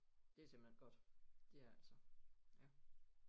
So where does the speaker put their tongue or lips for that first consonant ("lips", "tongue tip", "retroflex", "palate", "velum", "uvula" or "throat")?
tongue tip